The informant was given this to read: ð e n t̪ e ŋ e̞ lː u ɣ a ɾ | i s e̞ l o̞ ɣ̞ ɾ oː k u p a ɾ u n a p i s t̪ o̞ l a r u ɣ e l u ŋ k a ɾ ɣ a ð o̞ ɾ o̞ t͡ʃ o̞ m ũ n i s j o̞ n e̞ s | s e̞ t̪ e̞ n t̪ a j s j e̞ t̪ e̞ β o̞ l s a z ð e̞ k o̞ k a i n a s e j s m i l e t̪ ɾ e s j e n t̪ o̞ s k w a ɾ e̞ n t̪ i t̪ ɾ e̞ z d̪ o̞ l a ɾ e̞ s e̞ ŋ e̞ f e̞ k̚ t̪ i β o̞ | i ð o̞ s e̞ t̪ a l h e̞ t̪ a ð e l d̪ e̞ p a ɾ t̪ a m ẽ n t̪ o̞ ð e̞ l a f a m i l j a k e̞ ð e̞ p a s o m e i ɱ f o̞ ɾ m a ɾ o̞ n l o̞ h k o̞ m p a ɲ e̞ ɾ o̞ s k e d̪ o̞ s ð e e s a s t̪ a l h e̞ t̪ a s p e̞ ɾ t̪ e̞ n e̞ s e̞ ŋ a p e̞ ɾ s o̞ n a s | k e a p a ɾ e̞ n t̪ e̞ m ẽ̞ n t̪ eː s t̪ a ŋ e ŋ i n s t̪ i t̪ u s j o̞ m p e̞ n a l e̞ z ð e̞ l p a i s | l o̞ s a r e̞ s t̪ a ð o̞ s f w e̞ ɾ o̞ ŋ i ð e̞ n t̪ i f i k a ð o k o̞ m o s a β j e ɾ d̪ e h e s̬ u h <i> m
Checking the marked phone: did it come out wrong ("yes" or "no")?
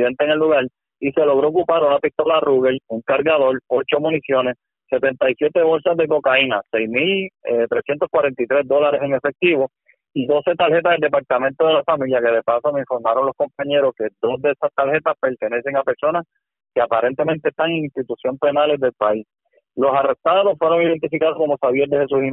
no